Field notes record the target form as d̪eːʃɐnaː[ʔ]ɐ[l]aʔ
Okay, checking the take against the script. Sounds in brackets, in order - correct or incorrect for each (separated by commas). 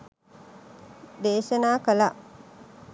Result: incorrect, correct